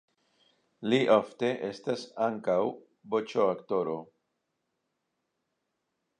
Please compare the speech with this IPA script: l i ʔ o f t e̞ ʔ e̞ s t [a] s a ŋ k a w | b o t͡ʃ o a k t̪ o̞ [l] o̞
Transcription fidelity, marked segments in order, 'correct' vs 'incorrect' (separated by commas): correct, incorrect